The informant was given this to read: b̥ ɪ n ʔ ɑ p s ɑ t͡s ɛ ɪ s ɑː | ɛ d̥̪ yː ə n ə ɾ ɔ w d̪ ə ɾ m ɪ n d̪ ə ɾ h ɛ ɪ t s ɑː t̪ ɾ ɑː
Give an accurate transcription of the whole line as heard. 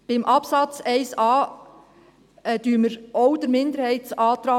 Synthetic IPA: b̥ ɪ m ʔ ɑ p s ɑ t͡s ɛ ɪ s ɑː | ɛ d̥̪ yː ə m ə ɾ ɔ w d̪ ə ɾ m ɪ n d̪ ə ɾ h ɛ ɪ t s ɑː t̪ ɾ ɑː